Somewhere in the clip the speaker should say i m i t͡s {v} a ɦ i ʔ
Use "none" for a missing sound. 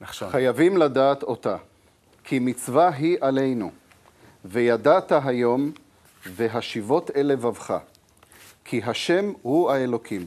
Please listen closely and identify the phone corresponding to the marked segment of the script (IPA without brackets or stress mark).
v